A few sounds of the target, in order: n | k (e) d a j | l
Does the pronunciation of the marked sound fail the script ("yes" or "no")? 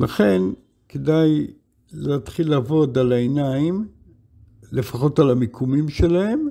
no